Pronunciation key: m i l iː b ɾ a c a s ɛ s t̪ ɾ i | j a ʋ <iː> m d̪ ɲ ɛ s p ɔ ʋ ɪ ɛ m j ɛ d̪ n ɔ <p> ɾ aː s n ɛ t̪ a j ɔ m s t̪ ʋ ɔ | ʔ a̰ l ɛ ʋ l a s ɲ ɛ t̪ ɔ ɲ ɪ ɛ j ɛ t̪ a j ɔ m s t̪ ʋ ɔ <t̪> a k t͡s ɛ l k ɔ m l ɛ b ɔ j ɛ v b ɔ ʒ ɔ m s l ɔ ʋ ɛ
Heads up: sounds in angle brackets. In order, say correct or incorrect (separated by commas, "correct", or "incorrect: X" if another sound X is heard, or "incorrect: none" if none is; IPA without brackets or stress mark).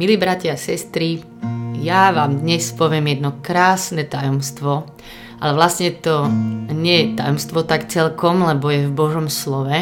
incorrect: aː, incorrect: k, correct